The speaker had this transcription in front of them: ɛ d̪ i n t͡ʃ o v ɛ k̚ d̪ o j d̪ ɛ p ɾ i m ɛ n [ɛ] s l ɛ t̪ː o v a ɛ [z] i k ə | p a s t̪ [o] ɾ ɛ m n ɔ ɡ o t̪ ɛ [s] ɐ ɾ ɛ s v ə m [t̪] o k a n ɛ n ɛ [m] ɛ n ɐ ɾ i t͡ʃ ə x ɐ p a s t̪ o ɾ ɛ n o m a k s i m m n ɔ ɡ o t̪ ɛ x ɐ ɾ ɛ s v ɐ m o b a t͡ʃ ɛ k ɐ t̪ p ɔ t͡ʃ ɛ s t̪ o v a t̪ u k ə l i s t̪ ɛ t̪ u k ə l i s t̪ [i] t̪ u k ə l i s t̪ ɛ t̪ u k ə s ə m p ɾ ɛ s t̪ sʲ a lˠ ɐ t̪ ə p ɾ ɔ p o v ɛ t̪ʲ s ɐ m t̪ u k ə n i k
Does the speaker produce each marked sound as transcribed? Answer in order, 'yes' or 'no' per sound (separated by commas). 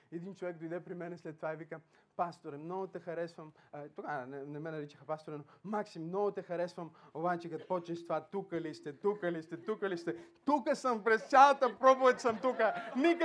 yes, no, yes, no, yes, yes, no